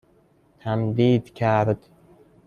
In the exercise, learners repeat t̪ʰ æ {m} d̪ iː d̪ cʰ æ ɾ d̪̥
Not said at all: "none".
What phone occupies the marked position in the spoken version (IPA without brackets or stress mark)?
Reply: m